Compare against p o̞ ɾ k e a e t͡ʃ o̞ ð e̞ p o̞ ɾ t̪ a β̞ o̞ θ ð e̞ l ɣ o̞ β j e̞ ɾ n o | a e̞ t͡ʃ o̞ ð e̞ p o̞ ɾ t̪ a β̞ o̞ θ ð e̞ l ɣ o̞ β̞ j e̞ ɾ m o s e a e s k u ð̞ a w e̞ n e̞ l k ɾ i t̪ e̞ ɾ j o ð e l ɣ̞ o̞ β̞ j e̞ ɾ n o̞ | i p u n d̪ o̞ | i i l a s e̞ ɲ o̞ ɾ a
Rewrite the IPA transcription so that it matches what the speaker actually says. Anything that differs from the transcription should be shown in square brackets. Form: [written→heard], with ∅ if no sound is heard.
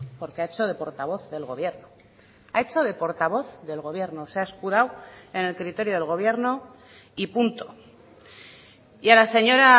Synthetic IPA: p o̞ ɾ k e a e t͡ʃ o̞ ð e̞ p o̞ ɾ t̪ a β̞ o̞ θ ð e̞ l ɣ o̞ β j e̞ ɾ n o | a e̞ t͡ʃ o̞ ð e̞ p o̞ ɾ t̪ a β̞ o̞ θ ð e̞ l ɣ o̞ β̞ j e̞ ɾ [m→n] o s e a e s k u ð̞ a w e̞ n e̞ l k ɾ i t̪ e̞ ɾ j o ð e l ɣ̞ o̞ β̞ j e̞ ɾ n o̞ | i p u n [d̪→t̪] o̞ | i [i→a] l a s e̞ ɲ o̞ ɾ a

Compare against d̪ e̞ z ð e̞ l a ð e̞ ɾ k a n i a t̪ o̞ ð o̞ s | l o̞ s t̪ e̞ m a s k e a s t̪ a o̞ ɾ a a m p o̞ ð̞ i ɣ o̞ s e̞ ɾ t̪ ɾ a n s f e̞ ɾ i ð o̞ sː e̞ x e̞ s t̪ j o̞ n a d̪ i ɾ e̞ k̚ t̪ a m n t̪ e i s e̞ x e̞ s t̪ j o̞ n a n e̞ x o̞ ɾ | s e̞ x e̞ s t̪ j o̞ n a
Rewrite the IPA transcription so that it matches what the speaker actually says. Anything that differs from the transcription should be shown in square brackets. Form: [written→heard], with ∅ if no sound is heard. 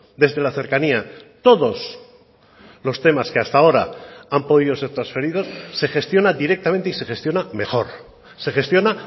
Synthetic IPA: d̪ e̞ z ð e̞ l a [ð→θ] e̞ ɾ k a n i a t̪ o̞ ð o̞ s | l o̞ s t̪ e̞ m a s k e a s t̪ a o̞ ɾ a a m p o̞ ð̞ i [ɣ→ð] o̞ s e̞ ɾ t̪ ɾ a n s f e̞ ɾ i ð o̞ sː e̞ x e̞ s t̪ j o̞ n a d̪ i ɾ e̞ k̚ t̪ a m n t̪ e i s e̞ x e̞ s t̪ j o̞ n a [n→m] e̞ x o̞ ɾ | s e̞ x e̞ s t̪ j o̞ n a

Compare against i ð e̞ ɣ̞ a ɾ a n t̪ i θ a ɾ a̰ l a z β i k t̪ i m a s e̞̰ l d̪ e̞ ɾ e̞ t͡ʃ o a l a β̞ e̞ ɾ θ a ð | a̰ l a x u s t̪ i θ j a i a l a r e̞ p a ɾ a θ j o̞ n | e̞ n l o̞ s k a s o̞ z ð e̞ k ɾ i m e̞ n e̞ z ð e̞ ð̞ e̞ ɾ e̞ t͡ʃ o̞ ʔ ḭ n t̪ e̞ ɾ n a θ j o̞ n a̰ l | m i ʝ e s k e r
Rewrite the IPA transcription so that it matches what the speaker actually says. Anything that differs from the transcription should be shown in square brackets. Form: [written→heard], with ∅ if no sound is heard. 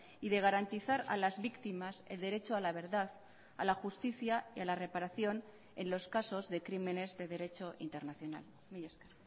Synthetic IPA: i ð e̞ ɣ̞ a ɾ a n t̪ i θ a ɾ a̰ l a z β i k t̪ i m a s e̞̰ l d̪ e̞ ɾ e̞ t͡ʃ o a l a β̞ e̞ ɾ [θ→ð] a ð | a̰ l a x u s t̪ i θ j a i a l a r e̞ p a ɾ a θ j o̞ n | e̞ n l o̞ s k a s o̞ z ð e̞ k ɾ i m e̞ n e̞ z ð e̞ ð̞ e̞ ɾ e̞ t͡ʃ o̞ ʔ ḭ n t̪ e̞ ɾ n a θ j o̞ n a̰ l | m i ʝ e s k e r

